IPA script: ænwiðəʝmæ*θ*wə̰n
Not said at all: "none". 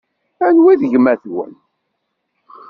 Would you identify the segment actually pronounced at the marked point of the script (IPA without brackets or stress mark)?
θ